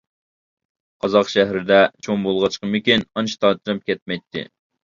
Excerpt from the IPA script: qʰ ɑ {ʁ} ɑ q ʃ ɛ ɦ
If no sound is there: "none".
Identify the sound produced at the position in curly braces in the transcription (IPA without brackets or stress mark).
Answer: z